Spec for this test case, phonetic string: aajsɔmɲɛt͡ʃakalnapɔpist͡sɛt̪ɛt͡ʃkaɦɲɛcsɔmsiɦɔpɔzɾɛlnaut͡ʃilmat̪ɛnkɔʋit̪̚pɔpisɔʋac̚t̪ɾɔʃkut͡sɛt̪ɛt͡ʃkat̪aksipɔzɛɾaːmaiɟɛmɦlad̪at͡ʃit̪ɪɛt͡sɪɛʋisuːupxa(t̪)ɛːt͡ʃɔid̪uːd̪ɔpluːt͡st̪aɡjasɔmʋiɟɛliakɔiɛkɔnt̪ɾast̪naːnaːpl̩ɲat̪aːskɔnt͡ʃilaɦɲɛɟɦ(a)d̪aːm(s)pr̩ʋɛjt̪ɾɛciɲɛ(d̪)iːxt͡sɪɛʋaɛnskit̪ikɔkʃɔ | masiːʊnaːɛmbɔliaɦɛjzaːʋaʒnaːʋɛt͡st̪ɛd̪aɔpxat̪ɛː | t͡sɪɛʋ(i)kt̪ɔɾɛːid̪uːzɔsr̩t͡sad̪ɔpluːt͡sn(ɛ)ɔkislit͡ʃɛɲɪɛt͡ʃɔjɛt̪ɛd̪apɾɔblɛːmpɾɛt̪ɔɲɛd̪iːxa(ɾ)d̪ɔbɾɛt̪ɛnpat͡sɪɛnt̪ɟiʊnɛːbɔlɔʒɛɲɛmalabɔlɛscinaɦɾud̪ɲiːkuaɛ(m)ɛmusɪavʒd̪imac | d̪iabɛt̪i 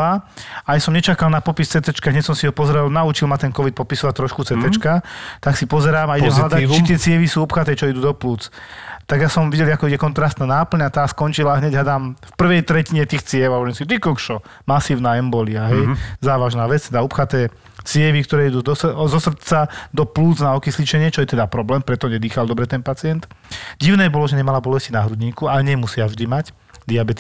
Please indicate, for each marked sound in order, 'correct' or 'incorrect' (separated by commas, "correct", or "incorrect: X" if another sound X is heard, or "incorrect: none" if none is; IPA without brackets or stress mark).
correct, correct, incorrect: f, incorrect: t̪, correct, incorrect: a, incorrect: l, incorrect: ɲ